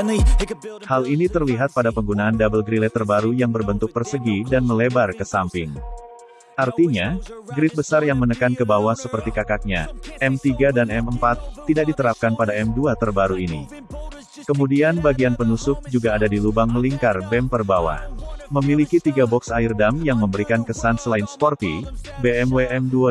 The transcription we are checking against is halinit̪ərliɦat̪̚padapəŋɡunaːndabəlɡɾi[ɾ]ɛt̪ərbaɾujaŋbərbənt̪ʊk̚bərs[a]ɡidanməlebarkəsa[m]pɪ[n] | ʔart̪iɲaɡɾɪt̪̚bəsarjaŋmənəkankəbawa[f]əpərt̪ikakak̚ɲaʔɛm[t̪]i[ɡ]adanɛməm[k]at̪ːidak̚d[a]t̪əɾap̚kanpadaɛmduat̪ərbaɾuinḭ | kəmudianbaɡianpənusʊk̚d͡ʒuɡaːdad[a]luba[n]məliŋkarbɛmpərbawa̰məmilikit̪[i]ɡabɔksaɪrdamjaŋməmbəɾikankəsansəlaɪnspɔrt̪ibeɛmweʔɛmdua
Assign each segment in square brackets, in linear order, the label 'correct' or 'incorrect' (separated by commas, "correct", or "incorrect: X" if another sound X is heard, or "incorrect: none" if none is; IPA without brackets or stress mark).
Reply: incorrect: l, incorrect: ə, correct, incorrect: ŋ, incorrect: s, correct, correct, incorrect: p, incorrect: i, incorrect: i, incorrect: ŋ, correct